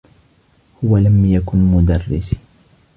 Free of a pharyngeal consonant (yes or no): yes